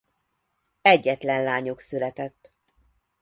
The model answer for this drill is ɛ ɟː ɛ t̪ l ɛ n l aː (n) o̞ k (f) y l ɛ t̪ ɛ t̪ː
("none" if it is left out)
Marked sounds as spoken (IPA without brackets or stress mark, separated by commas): ɲ, s